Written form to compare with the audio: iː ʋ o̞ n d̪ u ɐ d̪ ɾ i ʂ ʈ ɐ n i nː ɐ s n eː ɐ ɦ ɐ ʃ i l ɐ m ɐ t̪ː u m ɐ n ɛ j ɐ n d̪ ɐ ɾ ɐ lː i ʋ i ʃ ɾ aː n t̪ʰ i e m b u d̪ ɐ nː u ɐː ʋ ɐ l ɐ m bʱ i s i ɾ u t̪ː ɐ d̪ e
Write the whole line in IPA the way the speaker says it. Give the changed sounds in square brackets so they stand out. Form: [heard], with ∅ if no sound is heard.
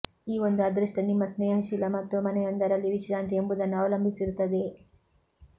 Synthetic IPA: iː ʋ o̞ n d̪ u ɐ d̪ ɾ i ʂ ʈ ɐ n i [mː] ɐ s n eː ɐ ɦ ɐ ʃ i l ɐ m ɐ t̪ː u m ɐ n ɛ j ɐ n d̪ ɐ ɾ ɐ lː i ʋ i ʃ ɾ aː n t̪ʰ i e m b u d̪ ɐ nː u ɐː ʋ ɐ l ɐ m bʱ i s i ɾ u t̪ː ɐ d̪ e